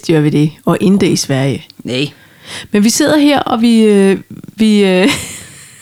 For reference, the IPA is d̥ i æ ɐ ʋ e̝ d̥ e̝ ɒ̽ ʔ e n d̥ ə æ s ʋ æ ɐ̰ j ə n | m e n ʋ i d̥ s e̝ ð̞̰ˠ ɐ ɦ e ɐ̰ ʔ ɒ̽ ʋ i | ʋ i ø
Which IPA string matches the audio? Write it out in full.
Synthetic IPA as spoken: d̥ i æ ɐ ʋ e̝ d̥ e̝ ɒ̽ ʔ e n d̥ ə i s ʋ æ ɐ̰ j ə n | m e n ʋ i s e̝ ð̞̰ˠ ɐ ɦ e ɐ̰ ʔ ɒ̽ ʋ i | ʋ i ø